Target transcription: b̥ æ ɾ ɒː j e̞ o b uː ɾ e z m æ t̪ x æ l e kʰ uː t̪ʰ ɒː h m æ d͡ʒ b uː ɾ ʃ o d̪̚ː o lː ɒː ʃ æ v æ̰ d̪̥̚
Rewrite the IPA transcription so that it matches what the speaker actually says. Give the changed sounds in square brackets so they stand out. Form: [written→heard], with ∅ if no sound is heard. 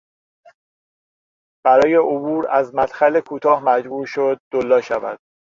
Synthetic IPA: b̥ æ ɾ ɒː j e̞ o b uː ɾ [e→æ] z m æ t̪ x æ l e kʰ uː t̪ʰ ɒː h m æ d͡ʒ b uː ɾ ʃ o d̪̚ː o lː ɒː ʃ æ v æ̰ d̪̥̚